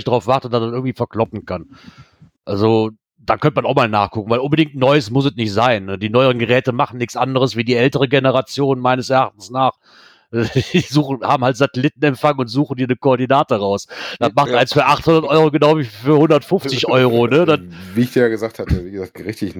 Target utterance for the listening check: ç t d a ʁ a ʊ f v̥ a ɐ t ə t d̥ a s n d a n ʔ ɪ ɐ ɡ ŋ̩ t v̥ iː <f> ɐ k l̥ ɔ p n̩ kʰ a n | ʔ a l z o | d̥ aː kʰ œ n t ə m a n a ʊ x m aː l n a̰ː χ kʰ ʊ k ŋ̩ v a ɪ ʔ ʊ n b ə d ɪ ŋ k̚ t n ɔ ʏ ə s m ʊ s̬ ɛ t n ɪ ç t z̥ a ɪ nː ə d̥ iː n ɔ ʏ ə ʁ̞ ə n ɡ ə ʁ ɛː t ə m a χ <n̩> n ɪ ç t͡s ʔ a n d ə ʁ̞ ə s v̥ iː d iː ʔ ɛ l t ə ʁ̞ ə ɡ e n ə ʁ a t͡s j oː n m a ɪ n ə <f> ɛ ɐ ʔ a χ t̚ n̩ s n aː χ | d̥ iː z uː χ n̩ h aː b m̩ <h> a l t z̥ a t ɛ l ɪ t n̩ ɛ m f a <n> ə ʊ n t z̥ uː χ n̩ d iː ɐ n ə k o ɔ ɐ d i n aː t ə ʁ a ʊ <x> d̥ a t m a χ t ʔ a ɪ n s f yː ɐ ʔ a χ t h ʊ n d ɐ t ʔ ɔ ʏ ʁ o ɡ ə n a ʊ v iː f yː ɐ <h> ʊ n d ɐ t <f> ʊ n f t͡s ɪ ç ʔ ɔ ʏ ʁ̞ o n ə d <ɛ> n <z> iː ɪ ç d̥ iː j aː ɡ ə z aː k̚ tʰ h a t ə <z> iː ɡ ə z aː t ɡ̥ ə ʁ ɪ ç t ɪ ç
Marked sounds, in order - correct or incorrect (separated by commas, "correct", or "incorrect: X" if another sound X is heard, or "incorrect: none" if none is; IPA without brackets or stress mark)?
correct, correct, incorrect: s, correct, incorrect: ŋ, incorrect: s, correct, correct, incorrect: a, incorrect: v, incorrect: v